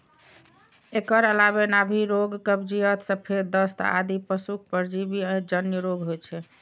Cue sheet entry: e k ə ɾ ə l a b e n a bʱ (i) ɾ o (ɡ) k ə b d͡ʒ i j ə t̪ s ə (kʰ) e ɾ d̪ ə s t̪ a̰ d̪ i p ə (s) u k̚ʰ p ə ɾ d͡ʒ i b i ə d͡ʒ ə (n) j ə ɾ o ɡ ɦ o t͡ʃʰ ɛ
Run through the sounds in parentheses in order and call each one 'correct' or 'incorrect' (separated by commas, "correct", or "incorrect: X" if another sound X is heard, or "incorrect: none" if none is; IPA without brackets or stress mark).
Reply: correct, correct, incorrect: pʰ, correct, correct